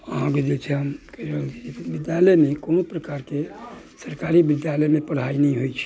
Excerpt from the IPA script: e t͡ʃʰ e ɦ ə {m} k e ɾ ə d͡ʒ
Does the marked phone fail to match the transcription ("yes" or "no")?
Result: no